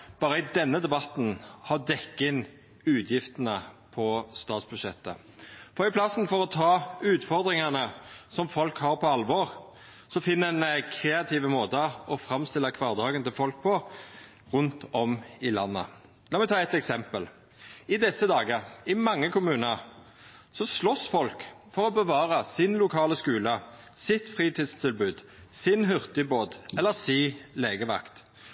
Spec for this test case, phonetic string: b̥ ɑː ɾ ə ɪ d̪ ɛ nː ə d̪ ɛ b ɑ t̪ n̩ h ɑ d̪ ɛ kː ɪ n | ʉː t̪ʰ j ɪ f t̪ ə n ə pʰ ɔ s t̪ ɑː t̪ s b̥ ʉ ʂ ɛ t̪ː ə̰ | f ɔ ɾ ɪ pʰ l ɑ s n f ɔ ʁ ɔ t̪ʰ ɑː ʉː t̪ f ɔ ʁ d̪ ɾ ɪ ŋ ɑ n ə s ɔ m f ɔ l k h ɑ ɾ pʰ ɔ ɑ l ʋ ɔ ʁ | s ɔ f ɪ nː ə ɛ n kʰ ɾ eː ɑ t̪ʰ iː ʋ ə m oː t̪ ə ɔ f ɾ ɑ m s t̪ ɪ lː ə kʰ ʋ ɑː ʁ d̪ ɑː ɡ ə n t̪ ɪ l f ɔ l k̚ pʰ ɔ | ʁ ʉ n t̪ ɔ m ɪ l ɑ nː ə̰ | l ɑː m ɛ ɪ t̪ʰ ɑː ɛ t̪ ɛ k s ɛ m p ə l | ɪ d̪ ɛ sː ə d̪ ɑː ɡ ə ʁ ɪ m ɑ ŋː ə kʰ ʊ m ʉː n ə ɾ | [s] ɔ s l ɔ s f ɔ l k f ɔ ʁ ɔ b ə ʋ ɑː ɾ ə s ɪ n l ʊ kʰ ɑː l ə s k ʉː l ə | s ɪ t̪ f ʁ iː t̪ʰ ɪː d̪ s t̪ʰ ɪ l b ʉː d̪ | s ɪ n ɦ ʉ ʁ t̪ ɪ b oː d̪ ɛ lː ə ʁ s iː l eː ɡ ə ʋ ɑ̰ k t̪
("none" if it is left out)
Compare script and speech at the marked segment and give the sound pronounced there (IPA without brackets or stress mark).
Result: s